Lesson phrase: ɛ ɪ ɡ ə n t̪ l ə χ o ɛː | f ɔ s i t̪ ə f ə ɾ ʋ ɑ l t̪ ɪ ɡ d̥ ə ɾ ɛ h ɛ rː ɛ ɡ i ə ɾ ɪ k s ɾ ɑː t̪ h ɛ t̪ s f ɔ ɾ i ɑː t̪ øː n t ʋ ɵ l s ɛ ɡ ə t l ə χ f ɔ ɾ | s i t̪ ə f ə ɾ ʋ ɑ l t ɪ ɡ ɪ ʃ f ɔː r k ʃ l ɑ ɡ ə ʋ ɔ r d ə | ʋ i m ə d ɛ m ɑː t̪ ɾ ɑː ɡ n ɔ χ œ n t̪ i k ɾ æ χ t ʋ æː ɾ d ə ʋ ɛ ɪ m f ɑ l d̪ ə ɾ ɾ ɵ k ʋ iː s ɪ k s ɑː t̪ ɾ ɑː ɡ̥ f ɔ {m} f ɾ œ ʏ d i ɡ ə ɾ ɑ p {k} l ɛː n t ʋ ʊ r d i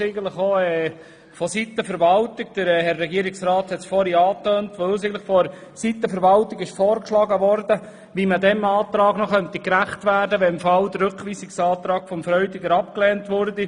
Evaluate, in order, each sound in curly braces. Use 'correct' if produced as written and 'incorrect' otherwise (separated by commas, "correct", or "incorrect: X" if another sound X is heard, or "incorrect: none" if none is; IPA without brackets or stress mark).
correct, correct